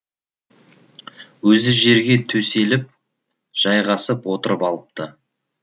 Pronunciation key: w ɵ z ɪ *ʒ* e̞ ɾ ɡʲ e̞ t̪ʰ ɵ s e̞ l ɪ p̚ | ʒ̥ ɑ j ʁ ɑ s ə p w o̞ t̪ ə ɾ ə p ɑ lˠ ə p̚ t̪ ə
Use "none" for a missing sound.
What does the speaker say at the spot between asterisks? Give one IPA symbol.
ʒ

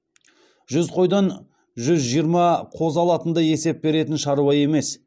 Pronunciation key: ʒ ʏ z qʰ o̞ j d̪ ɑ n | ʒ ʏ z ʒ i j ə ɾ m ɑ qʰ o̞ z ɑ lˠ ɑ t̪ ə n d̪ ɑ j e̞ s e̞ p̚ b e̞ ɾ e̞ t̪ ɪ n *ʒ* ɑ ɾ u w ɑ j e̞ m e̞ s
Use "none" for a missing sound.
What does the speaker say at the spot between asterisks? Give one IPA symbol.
ʃ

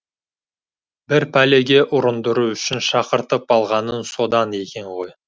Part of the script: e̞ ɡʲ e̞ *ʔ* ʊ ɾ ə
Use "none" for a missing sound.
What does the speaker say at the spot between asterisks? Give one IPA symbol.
ʔ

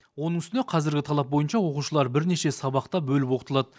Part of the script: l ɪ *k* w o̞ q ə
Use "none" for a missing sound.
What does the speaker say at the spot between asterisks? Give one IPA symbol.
p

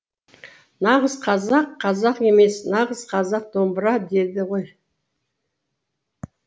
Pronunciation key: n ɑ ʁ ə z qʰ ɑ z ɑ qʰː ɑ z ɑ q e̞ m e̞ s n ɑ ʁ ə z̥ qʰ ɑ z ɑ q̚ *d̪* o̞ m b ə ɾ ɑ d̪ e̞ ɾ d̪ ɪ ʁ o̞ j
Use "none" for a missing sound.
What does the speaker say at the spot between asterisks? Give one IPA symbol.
d̪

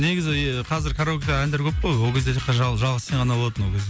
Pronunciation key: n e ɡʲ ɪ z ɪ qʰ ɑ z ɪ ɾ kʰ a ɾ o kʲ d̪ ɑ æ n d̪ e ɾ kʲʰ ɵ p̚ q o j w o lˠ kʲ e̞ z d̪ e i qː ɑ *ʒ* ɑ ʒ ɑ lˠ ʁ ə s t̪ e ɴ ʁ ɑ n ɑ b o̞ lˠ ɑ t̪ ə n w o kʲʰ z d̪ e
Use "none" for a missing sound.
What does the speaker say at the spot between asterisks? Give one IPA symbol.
ʒ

